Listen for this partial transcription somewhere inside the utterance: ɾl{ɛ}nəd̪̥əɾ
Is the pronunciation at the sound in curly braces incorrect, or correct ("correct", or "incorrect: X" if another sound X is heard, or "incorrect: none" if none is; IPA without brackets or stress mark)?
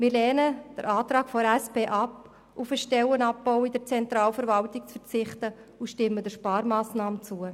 incorrect: ɛː